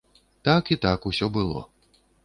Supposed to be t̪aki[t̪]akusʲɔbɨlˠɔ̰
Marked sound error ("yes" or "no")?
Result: no